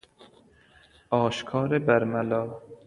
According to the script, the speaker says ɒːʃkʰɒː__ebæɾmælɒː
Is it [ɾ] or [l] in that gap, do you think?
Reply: ɾ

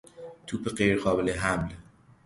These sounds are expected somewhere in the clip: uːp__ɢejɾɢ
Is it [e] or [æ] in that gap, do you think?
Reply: e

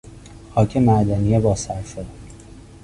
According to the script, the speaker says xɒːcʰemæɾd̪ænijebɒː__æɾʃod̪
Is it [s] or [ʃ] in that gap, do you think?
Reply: s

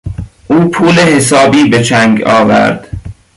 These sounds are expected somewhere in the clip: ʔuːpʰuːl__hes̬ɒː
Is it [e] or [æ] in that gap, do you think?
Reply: e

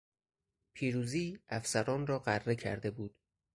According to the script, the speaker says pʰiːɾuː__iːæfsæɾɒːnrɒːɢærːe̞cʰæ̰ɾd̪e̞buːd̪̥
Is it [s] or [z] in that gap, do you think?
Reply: z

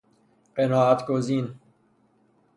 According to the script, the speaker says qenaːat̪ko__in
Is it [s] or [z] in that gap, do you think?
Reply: z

